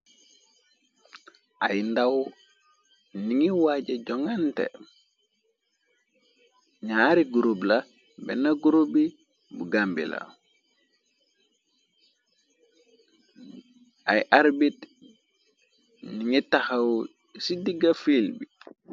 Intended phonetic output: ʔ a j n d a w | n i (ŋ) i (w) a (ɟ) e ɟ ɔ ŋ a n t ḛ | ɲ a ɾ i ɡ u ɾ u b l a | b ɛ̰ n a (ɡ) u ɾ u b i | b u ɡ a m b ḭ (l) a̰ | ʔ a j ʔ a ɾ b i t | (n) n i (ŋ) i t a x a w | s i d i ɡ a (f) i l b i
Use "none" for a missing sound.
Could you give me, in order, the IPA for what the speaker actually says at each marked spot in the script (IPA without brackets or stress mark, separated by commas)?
ŋ, w, ɟ, ɡ, l, n, ŋ, f